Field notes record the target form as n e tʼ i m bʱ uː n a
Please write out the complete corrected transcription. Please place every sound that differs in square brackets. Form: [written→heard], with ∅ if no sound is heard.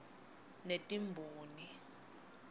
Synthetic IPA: n e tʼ i m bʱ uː n [a→i]